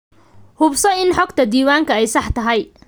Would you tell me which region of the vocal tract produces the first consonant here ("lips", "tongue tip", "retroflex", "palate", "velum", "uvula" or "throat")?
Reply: throat